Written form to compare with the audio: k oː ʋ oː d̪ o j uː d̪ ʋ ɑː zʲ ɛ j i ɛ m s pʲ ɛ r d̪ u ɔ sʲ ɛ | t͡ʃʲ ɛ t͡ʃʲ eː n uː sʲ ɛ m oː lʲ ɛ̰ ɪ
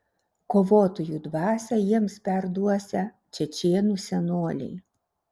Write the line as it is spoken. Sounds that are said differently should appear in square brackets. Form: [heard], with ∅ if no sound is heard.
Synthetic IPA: k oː ʋ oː [t̪] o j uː d̪ ʋ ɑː [sʲ] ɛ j i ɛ m s pʲ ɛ [ɾ] d̪ u ɔ sʲ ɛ | t͡ʃʲ ɛ t͡ʃʲ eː n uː sʲ ɛ [n] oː lʲ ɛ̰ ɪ